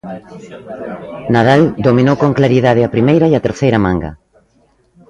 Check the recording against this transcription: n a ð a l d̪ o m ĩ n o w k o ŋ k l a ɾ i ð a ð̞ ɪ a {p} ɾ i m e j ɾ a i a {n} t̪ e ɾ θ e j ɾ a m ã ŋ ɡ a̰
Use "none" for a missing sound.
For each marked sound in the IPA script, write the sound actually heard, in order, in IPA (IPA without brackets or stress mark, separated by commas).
p, none